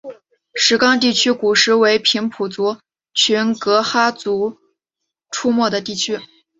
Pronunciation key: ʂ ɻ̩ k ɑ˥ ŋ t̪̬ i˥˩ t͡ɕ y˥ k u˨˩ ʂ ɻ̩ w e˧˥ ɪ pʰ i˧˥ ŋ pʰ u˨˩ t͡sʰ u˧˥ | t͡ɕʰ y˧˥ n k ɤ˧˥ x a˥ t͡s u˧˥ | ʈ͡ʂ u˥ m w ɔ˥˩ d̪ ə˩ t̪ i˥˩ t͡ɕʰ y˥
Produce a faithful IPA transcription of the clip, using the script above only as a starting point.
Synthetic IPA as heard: ʂ ɻ̩ k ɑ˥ ŋ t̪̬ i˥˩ t͡ɕʰ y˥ k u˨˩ ʂ ɻ̩ w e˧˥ ɪ pʰ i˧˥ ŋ pʰ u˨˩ t͡s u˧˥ | t͡ɕʰ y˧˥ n k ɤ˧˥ x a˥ t͡s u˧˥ | ʈ͡ʂʰ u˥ m w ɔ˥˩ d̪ ə˩ t̪ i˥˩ t͡ɕʰ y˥